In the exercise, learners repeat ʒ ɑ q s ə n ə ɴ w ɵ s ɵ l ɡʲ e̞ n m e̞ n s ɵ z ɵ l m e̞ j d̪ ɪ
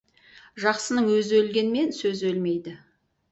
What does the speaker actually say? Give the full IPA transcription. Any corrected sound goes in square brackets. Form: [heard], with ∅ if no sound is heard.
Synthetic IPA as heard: ʒ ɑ q s ə n ə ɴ w ɵ [z] ɵ l ɡʲ e̞ n m e̞ n s ɵ z ɵ l m e̞ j d̪ ɪ